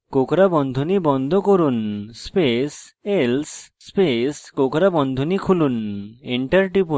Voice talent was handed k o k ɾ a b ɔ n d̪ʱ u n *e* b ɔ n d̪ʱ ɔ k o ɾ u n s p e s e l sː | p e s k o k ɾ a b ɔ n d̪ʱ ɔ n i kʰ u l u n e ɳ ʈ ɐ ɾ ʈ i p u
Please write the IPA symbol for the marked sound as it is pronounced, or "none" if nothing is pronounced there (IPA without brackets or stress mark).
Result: i